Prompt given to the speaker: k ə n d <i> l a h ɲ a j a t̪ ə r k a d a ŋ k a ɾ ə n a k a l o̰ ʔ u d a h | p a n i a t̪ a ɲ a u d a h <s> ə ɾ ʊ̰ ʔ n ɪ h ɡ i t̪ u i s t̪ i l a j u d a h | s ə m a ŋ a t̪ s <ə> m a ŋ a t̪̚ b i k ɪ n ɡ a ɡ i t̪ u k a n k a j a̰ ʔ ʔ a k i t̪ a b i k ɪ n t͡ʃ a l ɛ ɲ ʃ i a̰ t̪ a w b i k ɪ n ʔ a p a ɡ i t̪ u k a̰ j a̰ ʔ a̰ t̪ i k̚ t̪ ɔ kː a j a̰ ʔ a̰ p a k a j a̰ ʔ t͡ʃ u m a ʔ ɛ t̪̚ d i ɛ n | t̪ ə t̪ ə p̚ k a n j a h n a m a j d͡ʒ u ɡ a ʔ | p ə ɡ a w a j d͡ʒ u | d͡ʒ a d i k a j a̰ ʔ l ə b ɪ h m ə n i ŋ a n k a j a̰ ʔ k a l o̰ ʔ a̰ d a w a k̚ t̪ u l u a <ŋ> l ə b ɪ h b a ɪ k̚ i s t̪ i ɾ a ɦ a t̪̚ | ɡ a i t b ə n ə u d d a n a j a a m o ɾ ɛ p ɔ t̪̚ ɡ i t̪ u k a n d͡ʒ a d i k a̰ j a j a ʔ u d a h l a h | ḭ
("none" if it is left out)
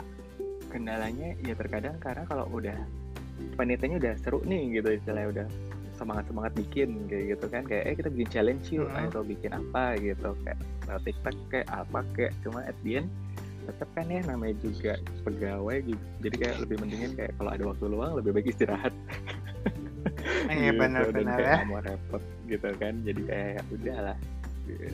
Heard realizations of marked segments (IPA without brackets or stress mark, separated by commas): a, s, ə, ŋ